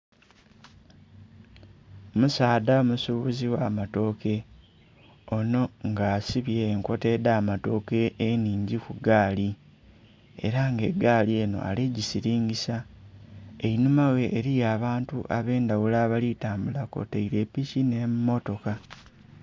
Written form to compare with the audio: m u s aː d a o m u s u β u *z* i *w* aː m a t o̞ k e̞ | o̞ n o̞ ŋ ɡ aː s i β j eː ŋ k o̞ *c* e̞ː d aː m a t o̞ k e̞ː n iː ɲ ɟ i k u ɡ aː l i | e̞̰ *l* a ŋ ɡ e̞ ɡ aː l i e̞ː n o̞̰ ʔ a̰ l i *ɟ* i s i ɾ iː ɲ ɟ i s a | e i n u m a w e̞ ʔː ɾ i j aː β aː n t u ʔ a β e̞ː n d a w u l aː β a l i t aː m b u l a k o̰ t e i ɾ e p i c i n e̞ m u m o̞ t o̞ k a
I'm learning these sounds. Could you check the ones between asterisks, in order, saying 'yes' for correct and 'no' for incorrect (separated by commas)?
yes, yes, no, no, yes